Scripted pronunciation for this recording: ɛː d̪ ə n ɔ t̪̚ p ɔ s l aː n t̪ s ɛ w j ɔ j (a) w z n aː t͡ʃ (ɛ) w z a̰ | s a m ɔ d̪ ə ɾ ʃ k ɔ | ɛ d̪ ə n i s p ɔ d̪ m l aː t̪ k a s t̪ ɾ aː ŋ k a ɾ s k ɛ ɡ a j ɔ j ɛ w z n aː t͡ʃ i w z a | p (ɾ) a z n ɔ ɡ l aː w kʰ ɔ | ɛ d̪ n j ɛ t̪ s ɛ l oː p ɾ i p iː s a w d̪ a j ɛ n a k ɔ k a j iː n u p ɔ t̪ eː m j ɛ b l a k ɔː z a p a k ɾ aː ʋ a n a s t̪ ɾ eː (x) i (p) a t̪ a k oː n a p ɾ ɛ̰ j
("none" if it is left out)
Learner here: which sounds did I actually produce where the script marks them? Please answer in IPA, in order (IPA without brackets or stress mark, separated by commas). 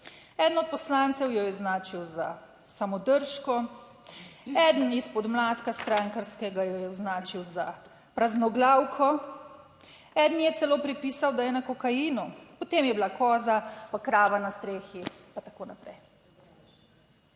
ɛ, i, ɾ, x, p